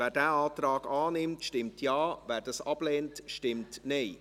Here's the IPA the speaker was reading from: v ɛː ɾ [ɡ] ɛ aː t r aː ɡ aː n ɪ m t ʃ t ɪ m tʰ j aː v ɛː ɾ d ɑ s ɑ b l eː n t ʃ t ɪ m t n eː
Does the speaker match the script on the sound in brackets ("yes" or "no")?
no